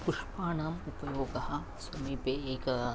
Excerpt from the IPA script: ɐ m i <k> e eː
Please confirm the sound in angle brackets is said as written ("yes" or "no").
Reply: no